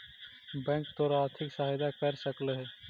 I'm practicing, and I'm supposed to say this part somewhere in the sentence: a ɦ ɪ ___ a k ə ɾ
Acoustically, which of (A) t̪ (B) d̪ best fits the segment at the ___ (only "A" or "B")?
B